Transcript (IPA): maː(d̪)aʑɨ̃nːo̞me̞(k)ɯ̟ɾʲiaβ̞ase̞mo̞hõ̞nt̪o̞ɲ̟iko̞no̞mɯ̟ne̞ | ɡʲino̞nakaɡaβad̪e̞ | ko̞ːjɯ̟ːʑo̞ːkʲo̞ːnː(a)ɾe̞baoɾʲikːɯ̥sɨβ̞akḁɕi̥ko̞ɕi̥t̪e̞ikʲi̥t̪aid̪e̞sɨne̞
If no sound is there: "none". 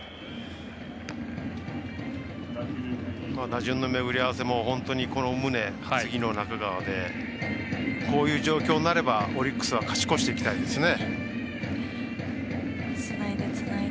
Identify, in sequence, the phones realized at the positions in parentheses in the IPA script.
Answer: d̪, ɡ, a

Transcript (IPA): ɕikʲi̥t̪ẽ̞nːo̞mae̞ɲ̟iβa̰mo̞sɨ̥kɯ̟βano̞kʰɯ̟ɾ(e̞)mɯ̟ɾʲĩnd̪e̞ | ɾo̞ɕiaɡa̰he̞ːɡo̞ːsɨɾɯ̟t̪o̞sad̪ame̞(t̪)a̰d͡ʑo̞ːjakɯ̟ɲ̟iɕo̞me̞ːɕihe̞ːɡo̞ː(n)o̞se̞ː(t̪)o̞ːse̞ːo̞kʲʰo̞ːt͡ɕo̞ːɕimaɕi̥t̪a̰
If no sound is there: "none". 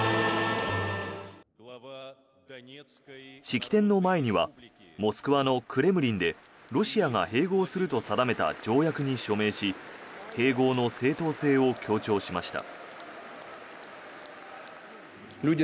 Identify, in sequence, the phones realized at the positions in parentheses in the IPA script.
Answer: e̞, t̪, n, t̪

